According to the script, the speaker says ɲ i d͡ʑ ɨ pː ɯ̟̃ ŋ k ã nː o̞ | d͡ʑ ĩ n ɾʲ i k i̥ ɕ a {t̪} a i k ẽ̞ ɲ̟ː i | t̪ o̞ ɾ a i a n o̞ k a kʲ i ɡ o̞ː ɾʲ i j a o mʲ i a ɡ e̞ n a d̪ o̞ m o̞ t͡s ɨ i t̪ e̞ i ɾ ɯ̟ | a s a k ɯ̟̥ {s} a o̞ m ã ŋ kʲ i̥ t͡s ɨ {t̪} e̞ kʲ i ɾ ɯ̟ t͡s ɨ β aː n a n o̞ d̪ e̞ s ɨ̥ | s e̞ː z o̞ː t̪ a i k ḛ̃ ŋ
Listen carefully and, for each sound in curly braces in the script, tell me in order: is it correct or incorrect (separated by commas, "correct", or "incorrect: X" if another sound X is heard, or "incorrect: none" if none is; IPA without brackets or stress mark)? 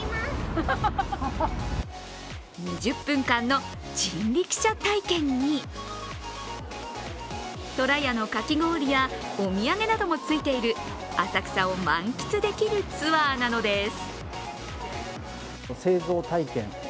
correct, correct, incorrect: d̪